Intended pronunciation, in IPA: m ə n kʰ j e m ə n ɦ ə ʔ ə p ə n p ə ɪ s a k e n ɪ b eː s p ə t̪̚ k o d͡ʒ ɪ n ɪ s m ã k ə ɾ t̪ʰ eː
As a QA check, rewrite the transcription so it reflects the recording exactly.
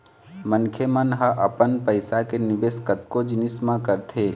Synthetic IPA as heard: m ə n kʰ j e m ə n ɦ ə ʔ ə p ə n p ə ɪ s a k e n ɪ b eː s k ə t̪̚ k o d͡ʒ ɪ n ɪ s m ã k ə ɾ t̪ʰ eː